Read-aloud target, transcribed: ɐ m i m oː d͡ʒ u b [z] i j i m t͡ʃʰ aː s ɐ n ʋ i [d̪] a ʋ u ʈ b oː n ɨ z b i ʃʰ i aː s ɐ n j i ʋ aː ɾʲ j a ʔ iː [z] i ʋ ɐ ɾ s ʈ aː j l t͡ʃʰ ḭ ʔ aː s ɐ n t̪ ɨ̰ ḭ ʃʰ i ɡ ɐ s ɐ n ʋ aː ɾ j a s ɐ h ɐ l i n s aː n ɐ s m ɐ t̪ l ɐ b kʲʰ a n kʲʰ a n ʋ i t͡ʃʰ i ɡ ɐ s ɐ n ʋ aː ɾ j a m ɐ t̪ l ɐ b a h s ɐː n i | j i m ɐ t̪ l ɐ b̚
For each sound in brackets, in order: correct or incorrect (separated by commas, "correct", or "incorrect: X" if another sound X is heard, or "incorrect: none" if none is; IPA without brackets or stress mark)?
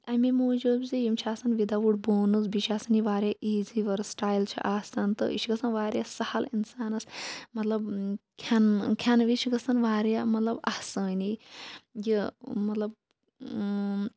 correct, correct, correct